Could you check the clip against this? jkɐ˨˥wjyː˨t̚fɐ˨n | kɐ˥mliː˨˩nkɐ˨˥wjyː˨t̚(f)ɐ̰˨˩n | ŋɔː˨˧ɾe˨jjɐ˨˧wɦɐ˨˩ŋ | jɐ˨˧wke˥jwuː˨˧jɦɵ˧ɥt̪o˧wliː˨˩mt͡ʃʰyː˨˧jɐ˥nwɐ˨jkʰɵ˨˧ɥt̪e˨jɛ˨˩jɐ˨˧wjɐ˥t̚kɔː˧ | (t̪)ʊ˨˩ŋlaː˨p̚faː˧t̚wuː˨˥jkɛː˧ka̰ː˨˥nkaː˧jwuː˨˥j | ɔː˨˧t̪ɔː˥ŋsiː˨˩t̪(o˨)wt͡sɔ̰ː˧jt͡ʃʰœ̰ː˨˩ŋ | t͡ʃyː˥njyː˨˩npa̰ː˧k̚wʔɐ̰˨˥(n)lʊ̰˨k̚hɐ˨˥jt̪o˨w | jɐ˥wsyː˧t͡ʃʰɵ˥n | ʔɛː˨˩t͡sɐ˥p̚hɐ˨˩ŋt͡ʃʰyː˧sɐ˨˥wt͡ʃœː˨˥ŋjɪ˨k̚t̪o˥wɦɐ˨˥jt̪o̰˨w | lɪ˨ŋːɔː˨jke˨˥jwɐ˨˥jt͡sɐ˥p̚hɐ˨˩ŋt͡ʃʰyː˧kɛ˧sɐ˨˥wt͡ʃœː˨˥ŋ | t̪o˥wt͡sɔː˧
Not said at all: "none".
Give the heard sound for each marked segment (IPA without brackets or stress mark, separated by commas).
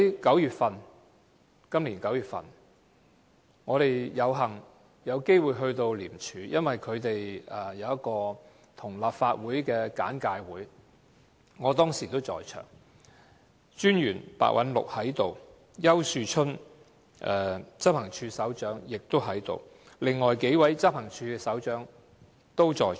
f, t̪ʰ, o˥, n